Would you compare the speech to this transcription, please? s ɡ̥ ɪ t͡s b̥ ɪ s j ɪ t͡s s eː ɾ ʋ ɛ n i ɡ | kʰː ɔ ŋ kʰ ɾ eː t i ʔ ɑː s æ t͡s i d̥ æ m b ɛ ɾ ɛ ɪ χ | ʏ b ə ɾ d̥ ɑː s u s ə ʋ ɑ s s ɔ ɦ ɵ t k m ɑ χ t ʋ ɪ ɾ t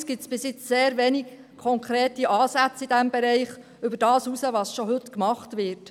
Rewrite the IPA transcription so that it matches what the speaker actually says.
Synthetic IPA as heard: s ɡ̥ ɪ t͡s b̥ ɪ s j ɪ t͡s s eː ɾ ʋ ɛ n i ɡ | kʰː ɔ ŋ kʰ ɾ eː t i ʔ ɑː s æ t͡s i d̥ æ m b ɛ ɾ ɛ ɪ χ | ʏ b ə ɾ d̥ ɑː s u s ə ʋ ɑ s ʃ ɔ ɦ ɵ t k m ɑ χ t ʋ ɪ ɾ t